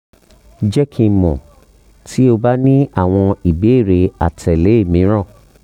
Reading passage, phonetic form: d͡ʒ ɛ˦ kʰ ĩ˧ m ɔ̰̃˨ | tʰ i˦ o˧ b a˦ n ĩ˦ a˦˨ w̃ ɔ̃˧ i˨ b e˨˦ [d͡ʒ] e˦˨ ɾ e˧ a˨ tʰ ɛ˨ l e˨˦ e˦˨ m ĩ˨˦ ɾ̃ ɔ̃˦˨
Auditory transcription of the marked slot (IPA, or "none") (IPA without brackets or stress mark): none